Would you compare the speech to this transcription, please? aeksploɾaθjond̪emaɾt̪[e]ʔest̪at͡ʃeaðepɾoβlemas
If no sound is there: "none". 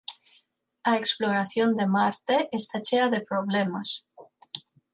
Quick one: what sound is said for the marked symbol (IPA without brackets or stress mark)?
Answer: e